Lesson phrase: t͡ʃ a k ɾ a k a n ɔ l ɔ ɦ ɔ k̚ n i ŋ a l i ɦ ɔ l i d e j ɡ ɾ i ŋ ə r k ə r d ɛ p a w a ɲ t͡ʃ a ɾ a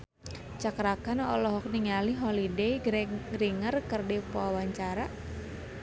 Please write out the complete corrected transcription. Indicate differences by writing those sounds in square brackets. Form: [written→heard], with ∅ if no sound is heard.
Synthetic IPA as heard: t͡ʃ a k ɾ a k a n ɔ l ɔ ɦ ɔ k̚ n i ŋ a l i ɦ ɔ l i d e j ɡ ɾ i ŋ ə r k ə r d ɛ p a w a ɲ t͡ʃ a ɾ a